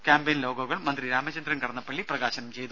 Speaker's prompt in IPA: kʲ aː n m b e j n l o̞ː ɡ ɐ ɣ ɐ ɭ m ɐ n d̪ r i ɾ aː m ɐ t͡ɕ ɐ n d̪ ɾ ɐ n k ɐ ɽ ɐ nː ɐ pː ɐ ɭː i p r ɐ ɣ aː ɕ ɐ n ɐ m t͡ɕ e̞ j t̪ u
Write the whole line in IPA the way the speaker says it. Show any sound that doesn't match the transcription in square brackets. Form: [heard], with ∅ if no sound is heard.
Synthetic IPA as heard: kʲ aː [∅] m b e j n l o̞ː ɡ ɐ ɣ ɐ ɭ m ɐ n d̪ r i ɾ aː m ɐ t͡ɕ ɐ n d̪ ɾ ɐ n k ɐ ɽ ɐ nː ɐ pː ɐ ɭː i p r ɐ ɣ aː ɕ ɐ n ɐ m t͡ɕ e̞ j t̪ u